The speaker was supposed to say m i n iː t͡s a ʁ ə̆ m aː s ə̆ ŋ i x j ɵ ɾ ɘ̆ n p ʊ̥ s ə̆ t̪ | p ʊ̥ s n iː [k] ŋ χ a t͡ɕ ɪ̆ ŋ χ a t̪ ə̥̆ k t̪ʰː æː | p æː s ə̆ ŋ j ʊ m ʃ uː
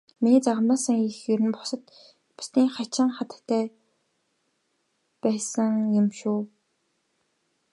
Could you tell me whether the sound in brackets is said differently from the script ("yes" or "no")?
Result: yes